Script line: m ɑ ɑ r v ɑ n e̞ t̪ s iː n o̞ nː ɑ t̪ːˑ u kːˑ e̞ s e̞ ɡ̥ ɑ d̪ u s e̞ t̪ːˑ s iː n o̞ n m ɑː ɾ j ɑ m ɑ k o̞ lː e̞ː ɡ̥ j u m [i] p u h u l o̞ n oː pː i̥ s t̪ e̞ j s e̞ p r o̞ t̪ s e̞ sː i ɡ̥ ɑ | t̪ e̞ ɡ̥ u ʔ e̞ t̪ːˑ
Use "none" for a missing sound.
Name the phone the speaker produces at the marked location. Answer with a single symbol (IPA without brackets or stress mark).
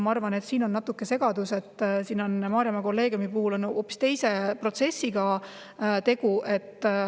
i